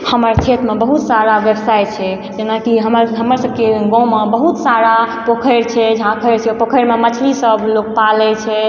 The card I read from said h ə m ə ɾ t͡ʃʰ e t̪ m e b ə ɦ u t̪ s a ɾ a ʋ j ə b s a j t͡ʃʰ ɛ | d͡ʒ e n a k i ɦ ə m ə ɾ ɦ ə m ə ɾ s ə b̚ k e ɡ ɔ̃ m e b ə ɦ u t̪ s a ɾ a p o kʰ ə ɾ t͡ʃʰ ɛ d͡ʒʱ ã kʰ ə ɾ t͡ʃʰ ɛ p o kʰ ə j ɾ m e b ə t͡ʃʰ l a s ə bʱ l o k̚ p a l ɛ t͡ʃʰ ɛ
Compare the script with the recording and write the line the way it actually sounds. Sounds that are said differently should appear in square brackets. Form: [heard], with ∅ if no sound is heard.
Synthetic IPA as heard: h ə m ə ɾ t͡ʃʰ e t̪ m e b ə ɦ u t̪ s a ɾ a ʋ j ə b s a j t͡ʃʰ ɛ | d͡ʒ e n a k i ɦ ə m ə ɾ ɦ ə m ə ɾ s ə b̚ k e ɡ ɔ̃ m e b ə ɦ u t̪ s a ɾ a p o kʰ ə ɾ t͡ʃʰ ɛ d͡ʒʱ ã kʰ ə ɾ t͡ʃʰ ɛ p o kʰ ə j ɾ m e [m] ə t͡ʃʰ l [i] s ə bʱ l o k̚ p a l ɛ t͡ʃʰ ɛ